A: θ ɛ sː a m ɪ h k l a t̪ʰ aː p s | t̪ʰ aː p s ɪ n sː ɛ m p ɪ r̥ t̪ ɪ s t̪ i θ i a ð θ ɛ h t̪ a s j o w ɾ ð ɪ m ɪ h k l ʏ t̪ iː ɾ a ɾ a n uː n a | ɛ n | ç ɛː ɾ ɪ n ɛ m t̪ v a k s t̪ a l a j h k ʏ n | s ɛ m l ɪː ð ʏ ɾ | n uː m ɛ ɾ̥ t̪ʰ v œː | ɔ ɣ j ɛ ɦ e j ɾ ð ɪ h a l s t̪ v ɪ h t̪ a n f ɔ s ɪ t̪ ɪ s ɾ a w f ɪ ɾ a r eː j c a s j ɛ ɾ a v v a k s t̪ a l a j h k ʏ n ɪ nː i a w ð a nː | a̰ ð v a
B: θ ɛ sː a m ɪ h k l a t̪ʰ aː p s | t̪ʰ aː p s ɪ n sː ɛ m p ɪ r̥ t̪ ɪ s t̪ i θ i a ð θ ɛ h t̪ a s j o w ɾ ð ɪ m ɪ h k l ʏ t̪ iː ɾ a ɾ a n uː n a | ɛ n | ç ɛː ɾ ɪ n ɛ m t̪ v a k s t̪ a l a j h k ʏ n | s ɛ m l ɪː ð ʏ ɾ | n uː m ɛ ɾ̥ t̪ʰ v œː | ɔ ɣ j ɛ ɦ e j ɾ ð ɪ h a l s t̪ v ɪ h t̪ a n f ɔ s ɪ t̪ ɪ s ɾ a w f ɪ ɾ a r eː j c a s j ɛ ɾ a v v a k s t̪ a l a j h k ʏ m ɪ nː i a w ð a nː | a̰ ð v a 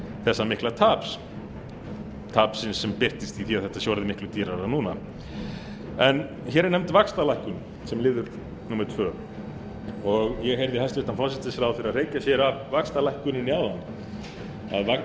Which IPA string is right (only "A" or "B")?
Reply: A